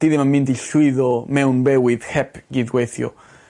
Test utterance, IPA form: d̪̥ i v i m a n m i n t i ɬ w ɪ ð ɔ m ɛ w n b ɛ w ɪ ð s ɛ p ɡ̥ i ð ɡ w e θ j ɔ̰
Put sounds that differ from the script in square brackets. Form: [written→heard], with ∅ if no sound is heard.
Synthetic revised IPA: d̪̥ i [v→ð] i m a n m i n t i ɬ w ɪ ð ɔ m ɛ w n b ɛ w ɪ ð [s→h] ɛ p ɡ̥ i ð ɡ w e θ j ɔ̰